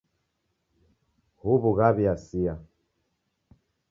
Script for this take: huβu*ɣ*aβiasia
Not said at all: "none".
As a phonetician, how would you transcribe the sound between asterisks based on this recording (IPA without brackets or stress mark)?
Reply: ɣ